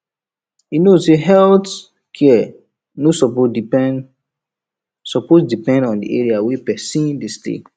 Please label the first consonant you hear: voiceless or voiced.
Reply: voiced